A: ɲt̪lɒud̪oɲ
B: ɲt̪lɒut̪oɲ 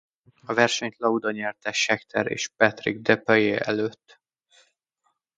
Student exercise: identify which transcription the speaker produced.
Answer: A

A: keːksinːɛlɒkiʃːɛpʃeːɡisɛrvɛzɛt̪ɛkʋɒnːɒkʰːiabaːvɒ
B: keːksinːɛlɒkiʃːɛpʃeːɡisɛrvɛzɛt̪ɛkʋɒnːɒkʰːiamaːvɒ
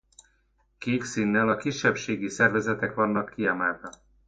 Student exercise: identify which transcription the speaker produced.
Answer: B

